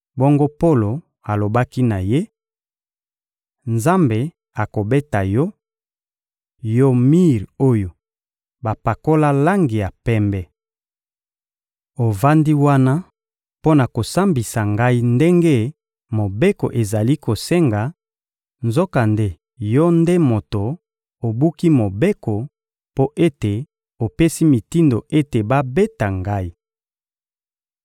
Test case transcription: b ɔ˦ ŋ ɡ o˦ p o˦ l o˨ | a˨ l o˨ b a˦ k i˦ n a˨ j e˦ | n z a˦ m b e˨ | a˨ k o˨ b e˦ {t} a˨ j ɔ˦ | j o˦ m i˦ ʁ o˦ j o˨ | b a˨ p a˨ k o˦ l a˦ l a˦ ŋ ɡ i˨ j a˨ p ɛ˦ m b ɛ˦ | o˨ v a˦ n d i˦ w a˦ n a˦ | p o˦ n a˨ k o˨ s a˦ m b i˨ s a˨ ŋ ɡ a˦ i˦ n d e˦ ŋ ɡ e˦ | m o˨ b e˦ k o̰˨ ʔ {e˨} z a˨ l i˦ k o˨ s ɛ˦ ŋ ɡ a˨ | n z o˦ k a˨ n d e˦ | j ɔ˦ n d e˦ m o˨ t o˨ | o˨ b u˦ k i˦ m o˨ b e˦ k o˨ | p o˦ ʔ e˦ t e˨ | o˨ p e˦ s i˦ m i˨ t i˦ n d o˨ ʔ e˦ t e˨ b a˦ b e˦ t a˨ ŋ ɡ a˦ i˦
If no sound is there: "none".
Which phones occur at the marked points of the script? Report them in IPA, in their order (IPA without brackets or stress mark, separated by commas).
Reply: t, e˨